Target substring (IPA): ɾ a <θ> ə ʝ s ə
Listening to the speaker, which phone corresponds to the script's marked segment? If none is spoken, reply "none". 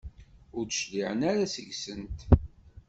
s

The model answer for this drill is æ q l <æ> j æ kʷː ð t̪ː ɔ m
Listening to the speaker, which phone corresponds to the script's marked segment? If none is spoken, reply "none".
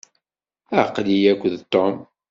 i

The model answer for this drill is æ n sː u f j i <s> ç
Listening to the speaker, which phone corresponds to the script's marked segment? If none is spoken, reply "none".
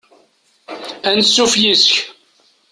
s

